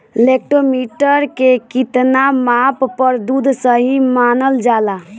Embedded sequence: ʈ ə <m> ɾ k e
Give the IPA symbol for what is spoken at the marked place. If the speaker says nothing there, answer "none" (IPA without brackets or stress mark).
none